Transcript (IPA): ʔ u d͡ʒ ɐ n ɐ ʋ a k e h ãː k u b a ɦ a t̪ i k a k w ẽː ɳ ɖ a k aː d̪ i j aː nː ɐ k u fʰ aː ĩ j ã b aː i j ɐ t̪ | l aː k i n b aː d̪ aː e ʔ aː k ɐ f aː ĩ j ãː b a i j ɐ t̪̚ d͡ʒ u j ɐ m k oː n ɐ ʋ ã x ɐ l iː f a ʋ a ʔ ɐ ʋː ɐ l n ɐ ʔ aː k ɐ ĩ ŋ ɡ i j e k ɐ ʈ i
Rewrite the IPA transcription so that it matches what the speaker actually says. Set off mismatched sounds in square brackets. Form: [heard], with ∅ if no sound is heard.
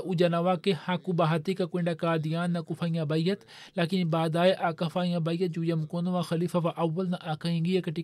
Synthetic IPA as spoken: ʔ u d͡ʒ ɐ n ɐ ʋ a k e h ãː k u b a ɦ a t̪ i k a k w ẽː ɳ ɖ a k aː d̪ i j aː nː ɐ k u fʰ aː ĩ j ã b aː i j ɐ t̪ | l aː k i n b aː d̪ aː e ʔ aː k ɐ f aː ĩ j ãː b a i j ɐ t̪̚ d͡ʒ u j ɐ m k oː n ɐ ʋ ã x ɐ l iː f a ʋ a ʔ ɐ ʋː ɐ l n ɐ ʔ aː k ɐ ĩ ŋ ɡ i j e k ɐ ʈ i